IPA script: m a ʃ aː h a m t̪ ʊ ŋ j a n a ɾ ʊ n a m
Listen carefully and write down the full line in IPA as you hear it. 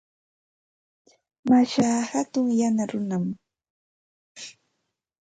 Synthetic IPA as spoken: m a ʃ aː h a t̪ ʊ ŋ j a n a ɾ ʊ n a m